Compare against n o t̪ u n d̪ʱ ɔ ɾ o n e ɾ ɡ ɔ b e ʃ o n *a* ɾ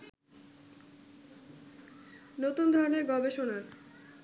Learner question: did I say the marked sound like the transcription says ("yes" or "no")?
yes